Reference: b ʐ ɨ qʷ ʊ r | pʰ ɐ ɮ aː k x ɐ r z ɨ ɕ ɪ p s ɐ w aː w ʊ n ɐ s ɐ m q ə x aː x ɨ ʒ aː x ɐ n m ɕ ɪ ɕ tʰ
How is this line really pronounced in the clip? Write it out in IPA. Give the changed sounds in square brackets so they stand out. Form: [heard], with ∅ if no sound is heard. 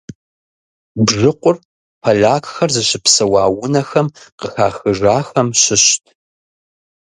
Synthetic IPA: b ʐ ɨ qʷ ʊ r | pʰ ɐ ɮ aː k x ɐ r z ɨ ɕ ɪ p s ɐ w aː w ʊ n ɐ [x] ɐ m q ə x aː x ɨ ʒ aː x ɐ [∅] m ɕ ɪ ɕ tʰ